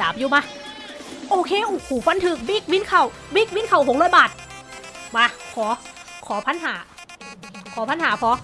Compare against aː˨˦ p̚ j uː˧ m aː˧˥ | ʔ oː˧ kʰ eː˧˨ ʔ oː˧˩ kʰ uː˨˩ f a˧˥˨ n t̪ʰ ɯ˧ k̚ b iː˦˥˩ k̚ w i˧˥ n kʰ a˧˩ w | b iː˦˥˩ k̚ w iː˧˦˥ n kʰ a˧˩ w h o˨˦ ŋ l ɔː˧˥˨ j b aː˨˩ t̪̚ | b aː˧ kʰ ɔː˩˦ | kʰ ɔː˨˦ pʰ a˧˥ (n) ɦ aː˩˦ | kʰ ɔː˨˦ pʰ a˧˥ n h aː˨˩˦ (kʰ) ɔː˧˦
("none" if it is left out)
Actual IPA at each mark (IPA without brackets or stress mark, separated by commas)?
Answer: n, pʰ